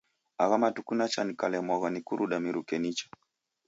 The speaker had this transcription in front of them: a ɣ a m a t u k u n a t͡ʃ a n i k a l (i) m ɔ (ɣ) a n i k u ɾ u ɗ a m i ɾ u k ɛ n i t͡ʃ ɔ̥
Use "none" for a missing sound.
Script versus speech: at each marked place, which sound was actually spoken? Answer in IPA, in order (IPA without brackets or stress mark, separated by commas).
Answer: ɛ, ɣ